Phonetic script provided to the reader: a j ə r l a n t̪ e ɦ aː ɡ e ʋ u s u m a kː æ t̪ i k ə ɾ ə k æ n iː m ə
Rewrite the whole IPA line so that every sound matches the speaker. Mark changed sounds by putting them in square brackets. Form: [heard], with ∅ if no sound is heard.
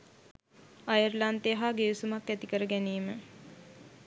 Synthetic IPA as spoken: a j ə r l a n t̪ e ɦ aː ɡ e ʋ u s u m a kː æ t̪ i k ə ɾ ə [ɡ] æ n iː m ə